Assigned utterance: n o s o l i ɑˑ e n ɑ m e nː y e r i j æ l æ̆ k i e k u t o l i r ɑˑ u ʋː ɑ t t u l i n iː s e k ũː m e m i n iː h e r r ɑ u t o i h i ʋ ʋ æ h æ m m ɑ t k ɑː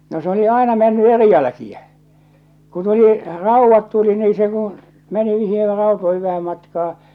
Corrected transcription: n o s o l i ɑˑ e n ɑ m e nː y e r i j æ l æ̆ k i æ k u t u l i r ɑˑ u ʋː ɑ t t u l i n iː s e k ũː m e n i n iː h e r r ɑ u t o i h i ʋ ʋ æ h æ m m ɑ t k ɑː